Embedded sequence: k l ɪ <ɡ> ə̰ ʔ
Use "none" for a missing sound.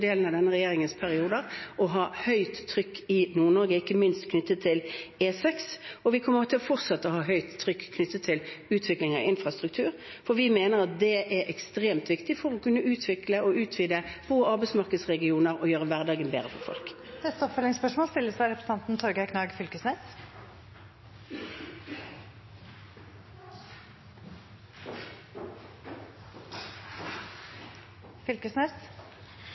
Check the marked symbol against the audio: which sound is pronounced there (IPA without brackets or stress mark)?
ŋ